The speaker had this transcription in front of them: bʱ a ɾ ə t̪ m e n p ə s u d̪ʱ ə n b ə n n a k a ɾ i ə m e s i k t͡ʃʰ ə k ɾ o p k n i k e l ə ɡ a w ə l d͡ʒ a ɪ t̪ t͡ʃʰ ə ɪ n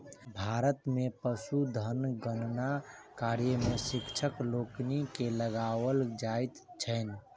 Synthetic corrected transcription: bʱ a ɾ ə t̪ m e p ə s u d̪ʱ ə n ɡ ə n n a k a ɾ j ə m e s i k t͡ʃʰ ə k l o k n i k e l ə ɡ a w ə l d͡ʒ a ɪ t̪ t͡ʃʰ ə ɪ n